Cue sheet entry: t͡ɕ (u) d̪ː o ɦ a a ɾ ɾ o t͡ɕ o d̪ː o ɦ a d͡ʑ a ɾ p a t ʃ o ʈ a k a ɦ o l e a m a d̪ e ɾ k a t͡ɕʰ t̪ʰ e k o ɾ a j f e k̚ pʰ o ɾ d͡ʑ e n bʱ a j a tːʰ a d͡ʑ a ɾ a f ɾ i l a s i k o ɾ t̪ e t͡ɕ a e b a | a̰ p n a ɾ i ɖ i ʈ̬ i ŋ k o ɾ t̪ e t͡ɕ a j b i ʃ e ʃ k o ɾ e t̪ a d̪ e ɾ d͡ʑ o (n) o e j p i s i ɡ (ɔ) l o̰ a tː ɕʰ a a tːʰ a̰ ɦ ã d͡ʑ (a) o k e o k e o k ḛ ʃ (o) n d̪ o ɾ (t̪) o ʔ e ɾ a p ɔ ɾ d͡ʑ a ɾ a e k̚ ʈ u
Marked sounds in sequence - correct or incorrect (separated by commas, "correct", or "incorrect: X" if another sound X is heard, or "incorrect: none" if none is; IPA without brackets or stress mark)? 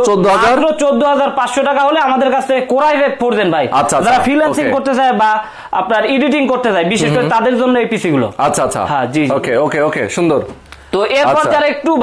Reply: incorrect: o, incorrect: nː, incorrect: u, incorrect: i, incorrect: u, correct